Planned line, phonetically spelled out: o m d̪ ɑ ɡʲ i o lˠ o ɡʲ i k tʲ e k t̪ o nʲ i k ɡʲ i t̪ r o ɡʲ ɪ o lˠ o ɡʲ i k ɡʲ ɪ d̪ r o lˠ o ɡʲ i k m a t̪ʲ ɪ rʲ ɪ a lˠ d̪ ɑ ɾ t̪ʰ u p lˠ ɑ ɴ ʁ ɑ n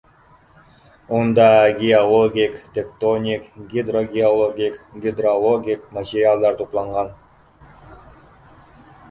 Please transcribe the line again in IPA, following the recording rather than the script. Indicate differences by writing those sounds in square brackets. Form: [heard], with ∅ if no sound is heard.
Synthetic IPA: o [n] d̪ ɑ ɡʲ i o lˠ o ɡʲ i k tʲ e k t̪ o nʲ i k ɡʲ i [d̪] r o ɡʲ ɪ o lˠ o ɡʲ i k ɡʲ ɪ d̪ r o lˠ o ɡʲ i k m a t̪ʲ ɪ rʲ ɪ a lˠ d̪ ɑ ɾ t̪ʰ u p lˠ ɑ ɴ ʁ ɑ n